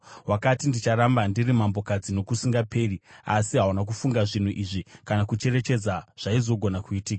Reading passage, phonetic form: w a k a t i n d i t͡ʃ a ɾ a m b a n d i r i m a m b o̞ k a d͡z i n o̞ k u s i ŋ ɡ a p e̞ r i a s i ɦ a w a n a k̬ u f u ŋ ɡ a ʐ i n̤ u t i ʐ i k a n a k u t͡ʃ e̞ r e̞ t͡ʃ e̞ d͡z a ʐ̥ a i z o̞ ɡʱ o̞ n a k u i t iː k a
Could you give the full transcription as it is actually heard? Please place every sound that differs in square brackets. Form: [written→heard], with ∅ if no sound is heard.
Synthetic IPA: w a k a t i n d i t͡ʃ a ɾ a m b a n d i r i m a m b o̞ k a d͡z i n o̞ k u s i ŋ ɡ a p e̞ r i a s i ɦ a w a n a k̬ u f u ŋ ɡ a ʐ i n̤ u [t→ʔ] i ʐ i k a n a k u t͡ʃ e̞ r e̞ t͡ʃ e̞ d͡z a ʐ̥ a i z o̞ ɡʱ o̞ n a k u i t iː k a

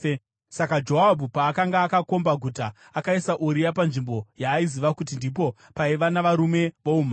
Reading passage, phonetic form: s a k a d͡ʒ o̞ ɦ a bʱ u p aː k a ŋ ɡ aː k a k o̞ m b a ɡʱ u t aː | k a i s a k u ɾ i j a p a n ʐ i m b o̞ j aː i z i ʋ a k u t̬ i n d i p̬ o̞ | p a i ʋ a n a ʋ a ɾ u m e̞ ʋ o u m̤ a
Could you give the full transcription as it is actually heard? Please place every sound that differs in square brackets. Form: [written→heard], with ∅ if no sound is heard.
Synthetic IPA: s a k a d͡ʒ o̞ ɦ a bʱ u p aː k a ŋ ɡ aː k a k o̞ m b a ɡʱ u t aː | k a i s a [k→ʔ] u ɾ i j a p a n ʐ i m b o̞ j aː i z i ʋ a k u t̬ i n d i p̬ o̞ | p a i ʋ a n a ʋ a ɾ u m e̞ ʋ o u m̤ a

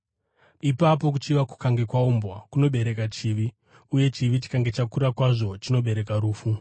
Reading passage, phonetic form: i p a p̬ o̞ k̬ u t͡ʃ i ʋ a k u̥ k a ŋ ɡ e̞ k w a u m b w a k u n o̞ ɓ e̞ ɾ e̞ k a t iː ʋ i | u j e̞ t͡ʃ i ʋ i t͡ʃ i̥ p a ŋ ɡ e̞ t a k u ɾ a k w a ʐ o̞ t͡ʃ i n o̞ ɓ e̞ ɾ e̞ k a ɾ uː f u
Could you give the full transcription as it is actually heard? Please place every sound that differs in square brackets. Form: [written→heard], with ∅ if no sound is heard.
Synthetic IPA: i p a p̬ o̞ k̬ u t͡ʃ i ʋ a k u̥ k a ŋ ɡ e̞ k w a u m b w a k u n o̞ ɓ e̞ ɾ e̞ k a [t→t͡ʃ] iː ʋ i | u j e̞ t͡ʃ i ʋ i t͡ʃ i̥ [p→k] a ŋ ɡ e̞ [t→t͡ʃ] a k u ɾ a k w a ʐ o̞ t͡ʃ i n o̞ ɓ e̞ ɾ e̞ k a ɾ uː f u

